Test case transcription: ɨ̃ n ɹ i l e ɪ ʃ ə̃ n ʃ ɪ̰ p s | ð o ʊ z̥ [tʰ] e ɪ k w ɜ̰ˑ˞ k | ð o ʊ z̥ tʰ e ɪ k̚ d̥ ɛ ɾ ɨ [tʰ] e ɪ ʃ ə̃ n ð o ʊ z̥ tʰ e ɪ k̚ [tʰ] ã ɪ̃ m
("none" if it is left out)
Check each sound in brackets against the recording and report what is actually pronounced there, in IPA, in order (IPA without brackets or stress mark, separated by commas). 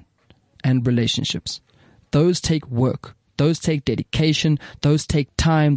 tʰ, kʰ, tʰ